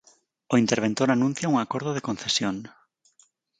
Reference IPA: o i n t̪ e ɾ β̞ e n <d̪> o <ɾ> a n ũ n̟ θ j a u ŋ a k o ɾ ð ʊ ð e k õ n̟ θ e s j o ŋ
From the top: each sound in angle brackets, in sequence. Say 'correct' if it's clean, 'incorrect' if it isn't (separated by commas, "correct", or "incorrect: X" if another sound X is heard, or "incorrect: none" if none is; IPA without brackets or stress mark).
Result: incorrect: t̪, correct